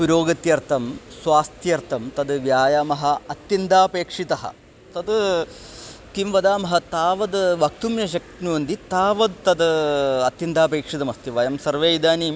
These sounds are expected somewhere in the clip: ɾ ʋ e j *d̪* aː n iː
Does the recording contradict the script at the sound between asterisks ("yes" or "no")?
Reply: no